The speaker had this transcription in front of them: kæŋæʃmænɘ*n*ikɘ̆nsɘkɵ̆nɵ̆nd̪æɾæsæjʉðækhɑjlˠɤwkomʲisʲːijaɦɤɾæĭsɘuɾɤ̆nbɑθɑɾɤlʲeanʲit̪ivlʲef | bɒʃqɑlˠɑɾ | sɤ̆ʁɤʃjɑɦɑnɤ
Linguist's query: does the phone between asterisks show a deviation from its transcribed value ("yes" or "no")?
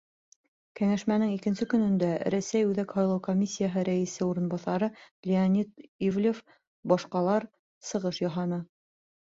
yes